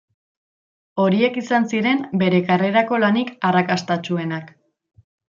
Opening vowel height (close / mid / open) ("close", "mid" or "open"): mid